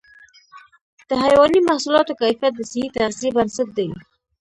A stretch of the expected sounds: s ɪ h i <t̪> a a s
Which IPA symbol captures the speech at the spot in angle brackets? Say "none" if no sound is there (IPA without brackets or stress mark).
t̪